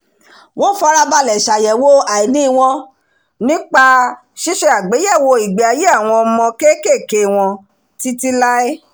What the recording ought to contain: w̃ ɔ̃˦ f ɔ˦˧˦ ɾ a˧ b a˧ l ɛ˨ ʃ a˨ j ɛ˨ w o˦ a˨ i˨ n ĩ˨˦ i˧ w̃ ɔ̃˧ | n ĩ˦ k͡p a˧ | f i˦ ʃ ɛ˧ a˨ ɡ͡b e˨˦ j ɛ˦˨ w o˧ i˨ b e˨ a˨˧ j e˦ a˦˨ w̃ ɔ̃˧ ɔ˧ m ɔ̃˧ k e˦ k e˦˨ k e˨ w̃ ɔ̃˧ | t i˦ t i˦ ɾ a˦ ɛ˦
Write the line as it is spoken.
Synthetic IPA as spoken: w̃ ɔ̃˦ f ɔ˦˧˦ ɾ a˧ b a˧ l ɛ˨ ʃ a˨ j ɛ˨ w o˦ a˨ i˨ n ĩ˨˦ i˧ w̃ ɔ̃˧ | n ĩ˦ k͡p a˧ | ʃ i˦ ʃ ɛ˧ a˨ ɡ͡b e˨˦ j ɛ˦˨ w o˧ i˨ ɡ͡b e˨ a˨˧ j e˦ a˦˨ w̃ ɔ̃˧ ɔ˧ m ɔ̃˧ k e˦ k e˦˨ k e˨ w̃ ɔ̃˧ | t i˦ t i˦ l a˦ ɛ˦